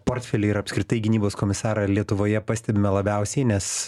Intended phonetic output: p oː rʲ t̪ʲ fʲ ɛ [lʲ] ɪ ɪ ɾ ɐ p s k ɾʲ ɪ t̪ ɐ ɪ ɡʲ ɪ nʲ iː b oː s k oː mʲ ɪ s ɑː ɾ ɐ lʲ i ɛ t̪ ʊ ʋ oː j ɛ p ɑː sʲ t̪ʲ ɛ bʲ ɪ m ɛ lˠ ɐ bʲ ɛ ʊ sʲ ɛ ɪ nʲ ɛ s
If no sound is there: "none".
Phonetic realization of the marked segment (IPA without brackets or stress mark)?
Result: lʲ